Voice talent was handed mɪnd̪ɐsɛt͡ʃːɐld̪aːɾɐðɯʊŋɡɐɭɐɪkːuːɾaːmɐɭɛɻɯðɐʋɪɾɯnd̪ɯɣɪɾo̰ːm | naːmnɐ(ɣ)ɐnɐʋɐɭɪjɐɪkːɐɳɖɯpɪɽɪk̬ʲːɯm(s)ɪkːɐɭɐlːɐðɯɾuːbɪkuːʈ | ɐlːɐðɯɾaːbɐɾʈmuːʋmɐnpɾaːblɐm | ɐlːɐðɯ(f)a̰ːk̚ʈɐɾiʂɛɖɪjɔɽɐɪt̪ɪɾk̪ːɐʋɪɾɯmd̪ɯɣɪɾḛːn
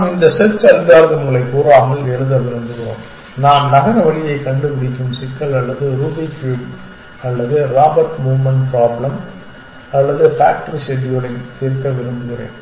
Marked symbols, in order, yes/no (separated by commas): yes, yes, yes